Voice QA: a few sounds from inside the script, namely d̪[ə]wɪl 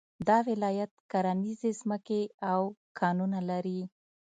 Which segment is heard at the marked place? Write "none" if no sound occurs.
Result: ɑ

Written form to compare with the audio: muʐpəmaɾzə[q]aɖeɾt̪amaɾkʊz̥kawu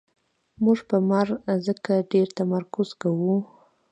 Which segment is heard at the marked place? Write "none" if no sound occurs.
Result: k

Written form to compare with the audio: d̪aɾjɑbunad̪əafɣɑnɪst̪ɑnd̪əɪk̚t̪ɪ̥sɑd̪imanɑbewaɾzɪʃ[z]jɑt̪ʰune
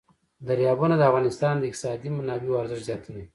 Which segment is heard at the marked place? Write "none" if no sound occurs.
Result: z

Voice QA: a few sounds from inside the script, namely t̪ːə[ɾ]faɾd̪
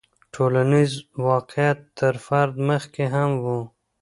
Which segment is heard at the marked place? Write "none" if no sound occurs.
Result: ɾ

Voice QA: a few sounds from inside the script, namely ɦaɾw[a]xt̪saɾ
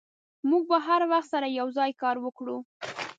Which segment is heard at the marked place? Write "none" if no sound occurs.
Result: a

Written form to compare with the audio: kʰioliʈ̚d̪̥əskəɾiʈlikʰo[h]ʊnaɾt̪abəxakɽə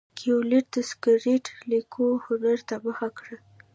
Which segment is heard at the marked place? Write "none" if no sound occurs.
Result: h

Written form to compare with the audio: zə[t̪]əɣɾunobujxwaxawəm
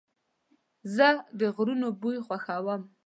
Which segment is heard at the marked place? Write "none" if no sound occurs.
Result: d̪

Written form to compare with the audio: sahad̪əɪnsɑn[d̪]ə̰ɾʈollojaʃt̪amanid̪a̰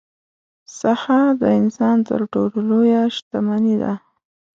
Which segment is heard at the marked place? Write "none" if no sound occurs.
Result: t̪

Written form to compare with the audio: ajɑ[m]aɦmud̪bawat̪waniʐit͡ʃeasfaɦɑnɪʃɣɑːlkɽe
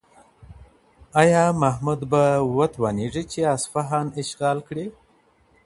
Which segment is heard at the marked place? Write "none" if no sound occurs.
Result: m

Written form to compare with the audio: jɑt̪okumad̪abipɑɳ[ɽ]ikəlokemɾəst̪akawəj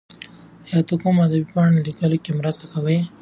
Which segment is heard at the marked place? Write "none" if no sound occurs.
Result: l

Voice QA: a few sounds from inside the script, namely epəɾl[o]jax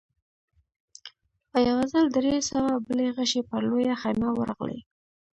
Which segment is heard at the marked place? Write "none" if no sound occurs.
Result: o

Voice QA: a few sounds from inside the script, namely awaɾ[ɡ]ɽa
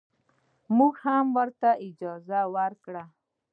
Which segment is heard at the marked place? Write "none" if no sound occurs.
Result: k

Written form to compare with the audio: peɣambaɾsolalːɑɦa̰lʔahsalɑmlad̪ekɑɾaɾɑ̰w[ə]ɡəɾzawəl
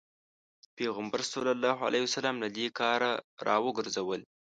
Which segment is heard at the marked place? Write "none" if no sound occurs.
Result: ə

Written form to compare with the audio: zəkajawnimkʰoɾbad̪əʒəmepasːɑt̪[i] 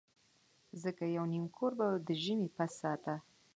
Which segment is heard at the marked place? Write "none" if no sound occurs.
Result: a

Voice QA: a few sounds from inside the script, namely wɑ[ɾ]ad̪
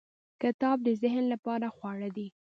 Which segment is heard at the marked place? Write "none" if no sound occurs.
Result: ɽ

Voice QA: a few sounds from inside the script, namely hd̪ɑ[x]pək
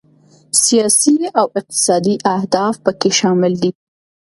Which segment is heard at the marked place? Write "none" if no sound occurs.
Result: f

